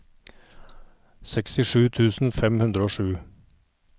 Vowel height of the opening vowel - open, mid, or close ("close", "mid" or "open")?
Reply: mid